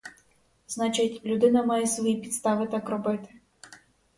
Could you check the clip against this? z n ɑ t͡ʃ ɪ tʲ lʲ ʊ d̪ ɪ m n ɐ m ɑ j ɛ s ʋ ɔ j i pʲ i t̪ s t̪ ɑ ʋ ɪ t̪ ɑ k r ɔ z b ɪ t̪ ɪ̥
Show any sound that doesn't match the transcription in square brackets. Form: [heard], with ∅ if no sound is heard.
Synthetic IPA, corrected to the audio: z n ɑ t͡ʃ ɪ tʲ lʲ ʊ d̪ ɪ [∅] n ɐ m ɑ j ɛ s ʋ ɔ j i pʲ i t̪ s t̪ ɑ ʋ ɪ t̪ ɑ k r ɔ [∅] b ɪ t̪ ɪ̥